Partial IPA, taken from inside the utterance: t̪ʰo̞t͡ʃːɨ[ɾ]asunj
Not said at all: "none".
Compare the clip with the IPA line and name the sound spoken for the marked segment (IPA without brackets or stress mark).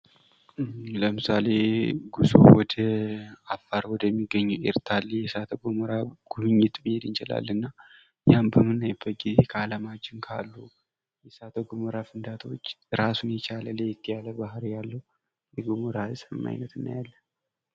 ɾ